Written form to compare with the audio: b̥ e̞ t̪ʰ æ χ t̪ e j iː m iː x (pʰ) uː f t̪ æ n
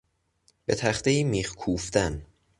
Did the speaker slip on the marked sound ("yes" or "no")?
yes